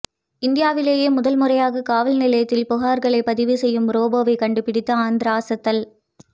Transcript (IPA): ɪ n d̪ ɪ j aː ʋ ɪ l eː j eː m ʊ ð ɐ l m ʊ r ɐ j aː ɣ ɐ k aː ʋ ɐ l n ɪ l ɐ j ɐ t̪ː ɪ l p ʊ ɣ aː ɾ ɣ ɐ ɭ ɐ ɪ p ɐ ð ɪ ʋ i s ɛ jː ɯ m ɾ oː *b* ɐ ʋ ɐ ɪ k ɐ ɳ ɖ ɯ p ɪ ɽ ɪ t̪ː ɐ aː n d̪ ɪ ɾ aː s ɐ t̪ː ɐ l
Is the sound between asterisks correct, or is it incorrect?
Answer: correct